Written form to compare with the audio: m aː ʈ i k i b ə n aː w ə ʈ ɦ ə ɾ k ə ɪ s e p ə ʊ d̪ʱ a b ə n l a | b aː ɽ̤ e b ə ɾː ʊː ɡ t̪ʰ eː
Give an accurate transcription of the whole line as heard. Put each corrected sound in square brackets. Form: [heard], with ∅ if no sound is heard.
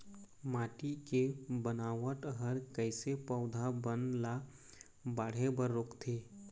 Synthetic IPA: m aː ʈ i k [e] b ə n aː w ə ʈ ɦ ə ɾ k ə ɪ s e p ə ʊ d̪ʱ a b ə n l a | b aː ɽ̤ e b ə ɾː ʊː [k] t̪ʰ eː